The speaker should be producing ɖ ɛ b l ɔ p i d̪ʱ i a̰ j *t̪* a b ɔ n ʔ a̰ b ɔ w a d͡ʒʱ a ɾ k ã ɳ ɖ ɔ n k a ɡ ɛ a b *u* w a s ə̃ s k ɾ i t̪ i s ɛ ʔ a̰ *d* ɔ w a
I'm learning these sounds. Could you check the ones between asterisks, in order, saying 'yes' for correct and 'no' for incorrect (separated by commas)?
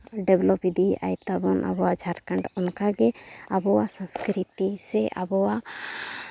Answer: yes, no, no